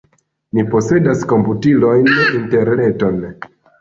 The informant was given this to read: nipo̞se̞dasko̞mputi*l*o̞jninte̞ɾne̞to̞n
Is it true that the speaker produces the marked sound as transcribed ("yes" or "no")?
yes